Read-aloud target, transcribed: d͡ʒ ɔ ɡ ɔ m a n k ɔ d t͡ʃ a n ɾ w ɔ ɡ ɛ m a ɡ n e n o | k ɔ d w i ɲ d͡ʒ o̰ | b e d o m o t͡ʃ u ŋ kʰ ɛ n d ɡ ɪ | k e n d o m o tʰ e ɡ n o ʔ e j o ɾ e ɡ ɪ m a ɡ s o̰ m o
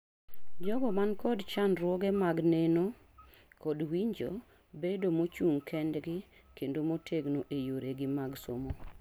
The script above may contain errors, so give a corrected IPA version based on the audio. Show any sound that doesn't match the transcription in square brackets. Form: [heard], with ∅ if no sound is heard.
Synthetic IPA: d͡ʒ ɔ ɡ ɔ m a n k ɔ d t͡ʃ a n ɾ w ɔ ɡ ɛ m a ɡ n e n o | k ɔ d w i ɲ d͡ʒ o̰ | b e d o m o t͡ʃ u ŋ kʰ ɛ n d ɡ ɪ | k e n d o m o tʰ e ɡ n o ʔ e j o ɾ e ɡ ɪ m a ɡ s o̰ m o